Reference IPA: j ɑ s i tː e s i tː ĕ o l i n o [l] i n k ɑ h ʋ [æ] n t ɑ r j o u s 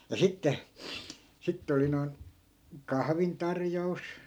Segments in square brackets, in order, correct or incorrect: incorrect, incorrect

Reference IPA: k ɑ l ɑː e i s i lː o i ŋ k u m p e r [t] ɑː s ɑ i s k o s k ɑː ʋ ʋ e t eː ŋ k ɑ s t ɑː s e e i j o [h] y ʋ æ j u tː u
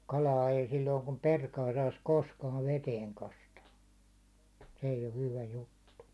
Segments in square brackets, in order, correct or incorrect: incorrect, correct

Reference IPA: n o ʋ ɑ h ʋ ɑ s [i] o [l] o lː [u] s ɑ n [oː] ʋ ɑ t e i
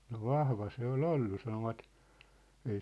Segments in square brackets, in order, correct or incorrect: incorrect, correct, correct, incorrect

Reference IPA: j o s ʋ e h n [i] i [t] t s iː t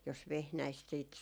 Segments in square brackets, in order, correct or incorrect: incorrect, incorrect

